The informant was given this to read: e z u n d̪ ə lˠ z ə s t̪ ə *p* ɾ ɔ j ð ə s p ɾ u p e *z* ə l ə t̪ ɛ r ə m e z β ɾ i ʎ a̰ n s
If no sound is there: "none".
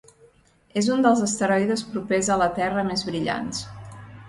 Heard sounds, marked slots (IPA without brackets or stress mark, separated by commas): none, z